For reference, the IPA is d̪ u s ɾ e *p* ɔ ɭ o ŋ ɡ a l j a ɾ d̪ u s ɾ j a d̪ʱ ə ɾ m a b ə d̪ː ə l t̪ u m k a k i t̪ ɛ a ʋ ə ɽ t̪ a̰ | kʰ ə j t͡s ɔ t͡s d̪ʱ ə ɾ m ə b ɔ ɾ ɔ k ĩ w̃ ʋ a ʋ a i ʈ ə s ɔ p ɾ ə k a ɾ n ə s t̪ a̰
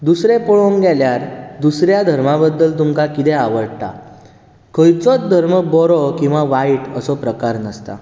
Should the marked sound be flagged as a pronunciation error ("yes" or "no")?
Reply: no